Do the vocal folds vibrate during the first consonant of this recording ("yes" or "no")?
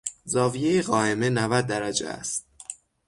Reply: yes